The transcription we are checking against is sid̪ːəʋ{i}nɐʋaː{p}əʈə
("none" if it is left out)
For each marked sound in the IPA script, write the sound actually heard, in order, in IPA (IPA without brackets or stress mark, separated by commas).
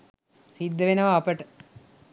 e, p